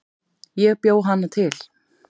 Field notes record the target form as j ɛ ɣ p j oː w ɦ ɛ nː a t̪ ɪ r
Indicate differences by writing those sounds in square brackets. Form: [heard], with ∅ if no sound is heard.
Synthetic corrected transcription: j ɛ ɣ p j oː w ɦ [a] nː a [t̪ʰ] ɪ [l]